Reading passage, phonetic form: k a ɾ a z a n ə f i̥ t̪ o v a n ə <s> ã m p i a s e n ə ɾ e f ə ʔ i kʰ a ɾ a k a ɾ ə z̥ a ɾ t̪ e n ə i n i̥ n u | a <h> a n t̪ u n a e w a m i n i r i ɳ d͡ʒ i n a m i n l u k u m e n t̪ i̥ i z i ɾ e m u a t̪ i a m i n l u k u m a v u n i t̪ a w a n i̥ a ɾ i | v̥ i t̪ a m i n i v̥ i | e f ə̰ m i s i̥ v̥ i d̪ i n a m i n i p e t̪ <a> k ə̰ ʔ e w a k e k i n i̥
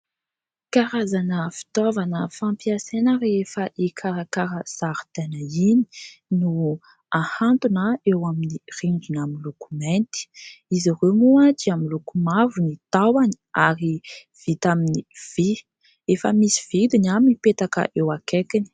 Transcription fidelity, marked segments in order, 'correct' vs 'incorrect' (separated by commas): incorrect, correct, correct